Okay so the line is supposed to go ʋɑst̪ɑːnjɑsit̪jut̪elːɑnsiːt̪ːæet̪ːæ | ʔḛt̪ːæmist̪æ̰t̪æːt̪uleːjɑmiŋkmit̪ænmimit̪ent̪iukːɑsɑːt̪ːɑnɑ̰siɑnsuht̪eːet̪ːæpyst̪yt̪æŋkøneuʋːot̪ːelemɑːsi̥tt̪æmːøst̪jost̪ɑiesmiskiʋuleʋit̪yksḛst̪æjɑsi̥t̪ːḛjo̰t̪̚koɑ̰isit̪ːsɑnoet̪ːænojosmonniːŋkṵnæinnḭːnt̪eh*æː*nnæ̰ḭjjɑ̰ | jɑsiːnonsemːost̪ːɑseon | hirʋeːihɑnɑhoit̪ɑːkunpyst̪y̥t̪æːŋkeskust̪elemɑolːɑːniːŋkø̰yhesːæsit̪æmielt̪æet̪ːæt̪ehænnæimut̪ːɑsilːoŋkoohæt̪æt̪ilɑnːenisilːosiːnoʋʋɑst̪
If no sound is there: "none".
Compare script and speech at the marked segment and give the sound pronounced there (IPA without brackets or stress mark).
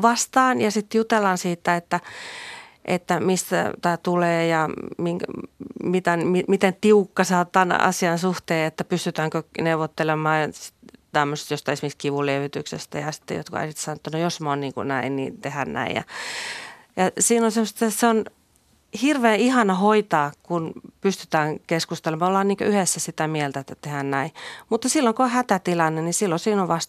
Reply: æ